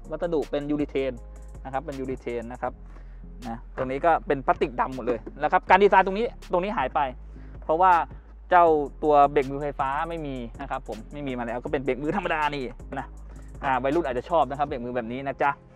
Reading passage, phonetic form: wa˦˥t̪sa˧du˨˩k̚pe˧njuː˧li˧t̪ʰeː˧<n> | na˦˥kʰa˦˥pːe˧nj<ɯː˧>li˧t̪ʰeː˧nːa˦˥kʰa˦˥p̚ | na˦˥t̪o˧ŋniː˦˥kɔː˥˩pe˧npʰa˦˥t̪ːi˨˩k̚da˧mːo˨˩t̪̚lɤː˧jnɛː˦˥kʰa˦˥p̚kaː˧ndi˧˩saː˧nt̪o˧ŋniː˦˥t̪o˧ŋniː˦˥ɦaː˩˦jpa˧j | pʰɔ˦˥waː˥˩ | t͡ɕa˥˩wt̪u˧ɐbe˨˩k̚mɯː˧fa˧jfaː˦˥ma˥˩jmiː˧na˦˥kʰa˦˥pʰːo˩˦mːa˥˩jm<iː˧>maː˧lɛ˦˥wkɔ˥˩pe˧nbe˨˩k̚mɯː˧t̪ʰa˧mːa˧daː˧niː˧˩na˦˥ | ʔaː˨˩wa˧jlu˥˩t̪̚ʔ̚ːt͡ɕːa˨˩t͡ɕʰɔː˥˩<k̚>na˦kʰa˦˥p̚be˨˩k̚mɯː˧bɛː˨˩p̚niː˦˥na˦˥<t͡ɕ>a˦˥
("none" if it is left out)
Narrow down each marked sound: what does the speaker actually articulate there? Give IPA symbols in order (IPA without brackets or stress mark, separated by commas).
n, uː˧, iː˧, p̚, t͡ɕ